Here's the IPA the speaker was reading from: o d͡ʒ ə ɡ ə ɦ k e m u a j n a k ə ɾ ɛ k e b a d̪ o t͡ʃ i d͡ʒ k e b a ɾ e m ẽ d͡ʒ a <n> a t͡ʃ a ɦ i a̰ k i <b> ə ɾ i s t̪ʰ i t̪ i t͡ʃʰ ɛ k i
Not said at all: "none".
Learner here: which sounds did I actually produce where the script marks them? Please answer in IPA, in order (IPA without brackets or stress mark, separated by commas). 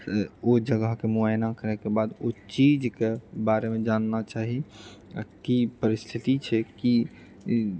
nː, p